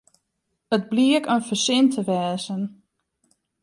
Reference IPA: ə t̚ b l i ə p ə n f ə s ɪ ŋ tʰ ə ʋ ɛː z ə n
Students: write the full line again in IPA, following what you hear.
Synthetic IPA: ə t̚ b l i ə k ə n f ə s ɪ n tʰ ə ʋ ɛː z ə n